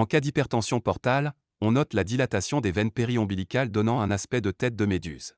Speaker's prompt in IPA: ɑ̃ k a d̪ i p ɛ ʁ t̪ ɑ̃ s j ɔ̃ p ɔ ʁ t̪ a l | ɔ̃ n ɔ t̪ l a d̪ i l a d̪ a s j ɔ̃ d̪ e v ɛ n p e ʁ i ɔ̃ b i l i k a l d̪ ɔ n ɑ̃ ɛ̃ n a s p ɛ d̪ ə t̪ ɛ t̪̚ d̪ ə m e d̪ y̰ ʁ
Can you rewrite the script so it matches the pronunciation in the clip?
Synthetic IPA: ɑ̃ k a d̪ i p ɛ ʁ t̪ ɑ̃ s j ɔ̃ p ɔ ʁ t̪ a l | ɔ̃ n ɔ t̪ l a d̪ i l a t̪ a s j ɔ̃ d̪ e v ɛ n p e ʁ i ɔ̃ b i l i k a l d̪ ɔ n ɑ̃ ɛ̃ n a s p ɛ d̪ ə t̪ ɛ t̪̚ d̪ ə m e d̪ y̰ z